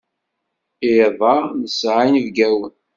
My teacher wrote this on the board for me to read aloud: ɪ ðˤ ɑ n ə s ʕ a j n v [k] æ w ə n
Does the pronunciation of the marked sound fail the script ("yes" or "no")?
yes